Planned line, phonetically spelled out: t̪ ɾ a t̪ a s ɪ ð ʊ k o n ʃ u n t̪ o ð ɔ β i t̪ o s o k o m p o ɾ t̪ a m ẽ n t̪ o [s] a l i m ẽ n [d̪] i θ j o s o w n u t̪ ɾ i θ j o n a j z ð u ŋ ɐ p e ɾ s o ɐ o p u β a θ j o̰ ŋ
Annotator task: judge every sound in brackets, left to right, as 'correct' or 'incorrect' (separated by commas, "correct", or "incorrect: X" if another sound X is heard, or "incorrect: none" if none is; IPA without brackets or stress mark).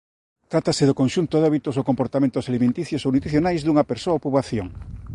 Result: correct, incorrect: t̪